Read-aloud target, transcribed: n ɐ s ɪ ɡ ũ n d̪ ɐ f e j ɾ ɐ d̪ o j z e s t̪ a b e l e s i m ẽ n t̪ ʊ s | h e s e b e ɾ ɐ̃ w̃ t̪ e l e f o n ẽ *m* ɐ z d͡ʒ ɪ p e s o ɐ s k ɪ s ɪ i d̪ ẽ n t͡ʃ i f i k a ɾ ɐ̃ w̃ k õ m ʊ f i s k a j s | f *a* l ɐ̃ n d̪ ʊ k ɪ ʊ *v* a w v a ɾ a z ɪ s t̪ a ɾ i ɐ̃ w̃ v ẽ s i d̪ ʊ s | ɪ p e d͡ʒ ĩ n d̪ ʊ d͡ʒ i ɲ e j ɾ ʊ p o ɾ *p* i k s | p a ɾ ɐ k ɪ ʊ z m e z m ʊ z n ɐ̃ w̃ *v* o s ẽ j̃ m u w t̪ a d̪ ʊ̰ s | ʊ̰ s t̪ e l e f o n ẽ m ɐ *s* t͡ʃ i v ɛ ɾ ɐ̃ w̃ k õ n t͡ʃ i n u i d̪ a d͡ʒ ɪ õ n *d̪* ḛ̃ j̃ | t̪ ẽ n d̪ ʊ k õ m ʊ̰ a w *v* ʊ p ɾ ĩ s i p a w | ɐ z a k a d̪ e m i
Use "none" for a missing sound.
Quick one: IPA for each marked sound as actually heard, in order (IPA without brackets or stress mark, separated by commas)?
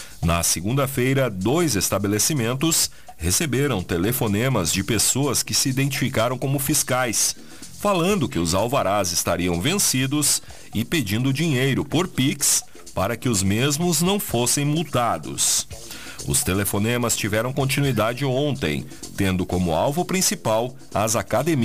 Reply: m, a, z, p, f, s, t̪, v